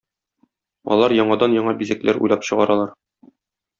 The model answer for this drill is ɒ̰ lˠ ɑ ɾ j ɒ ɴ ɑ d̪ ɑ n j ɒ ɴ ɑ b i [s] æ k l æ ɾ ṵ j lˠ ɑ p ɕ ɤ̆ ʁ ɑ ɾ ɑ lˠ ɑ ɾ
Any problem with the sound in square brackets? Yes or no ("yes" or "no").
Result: yes